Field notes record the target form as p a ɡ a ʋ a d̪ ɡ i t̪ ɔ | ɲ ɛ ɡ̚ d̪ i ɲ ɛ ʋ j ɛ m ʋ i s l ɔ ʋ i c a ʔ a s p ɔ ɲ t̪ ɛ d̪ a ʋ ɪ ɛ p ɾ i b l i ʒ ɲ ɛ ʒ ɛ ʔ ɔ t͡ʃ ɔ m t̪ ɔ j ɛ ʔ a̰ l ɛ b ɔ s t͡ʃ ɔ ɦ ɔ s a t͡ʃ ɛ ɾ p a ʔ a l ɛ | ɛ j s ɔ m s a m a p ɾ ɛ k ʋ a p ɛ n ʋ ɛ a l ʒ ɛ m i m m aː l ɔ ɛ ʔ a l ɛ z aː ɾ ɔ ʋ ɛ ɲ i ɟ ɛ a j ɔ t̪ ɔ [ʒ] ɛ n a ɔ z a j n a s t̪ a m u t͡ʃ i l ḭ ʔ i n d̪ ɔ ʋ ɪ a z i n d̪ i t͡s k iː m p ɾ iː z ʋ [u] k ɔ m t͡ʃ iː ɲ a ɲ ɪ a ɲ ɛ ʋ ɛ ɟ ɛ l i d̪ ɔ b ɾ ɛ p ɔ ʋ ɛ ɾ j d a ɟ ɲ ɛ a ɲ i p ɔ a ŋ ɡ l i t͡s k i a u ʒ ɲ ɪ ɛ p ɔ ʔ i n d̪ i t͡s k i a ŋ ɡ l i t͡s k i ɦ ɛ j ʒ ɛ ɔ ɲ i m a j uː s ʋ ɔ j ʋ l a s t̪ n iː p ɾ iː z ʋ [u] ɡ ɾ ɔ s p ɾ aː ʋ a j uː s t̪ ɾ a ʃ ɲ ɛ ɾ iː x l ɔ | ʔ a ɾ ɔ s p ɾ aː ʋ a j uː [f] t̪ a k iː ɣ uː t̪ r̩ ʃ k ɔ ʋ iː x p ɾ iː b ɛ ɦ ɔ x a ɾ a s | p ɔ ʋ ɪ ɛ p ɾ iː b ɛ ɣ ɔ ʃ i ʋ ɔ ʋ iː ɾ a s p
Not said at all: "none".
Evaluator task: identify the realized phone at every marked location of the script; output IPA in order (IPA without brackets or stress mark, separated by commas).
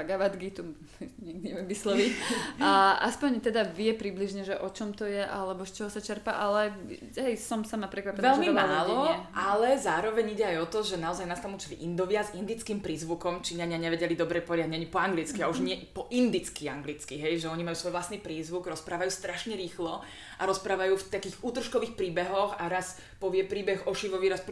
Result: ʒ, u, u, f